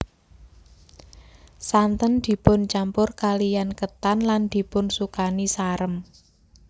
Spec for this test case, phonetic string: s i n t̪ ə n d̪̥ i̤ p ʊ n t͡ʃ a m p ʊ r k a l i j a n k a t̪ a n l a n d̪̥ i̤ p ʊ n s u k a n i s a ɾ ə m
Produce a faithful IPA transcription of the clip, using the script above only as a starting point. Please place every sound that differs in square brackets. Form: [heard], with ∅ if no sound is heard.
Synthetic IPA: s [a] n t̪ ə n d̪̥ i̤ p ʊ n t͡ʃ a m p ʊ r k a l i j a n k [ə] t̪ a n l a n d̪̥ i̤ p ʊ n s u k a n i s a ɾ ə m